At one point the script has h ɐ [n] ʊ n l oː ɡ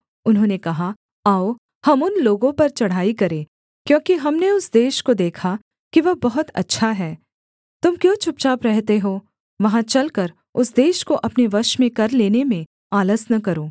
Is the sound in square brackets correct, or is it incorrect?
incorrect